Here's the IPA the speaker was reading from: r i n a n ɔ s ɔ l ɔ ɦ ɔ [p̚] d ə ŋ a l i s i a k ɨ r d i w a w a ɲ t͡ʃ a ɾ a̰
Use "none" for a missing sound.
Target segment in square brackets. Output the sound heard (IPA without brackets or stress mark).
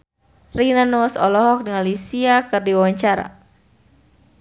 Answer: k̚